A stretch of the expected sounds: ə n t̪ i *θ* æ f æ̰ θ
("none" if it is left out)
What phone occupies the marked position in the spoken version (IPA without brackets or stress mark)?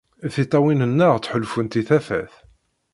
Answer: θ